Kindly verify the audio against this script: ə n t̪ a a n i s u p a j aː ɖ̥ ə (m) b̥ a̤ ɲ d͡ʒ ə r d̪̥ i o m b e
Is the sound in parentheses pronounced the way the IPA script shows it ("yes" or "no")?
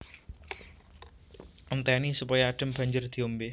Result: yes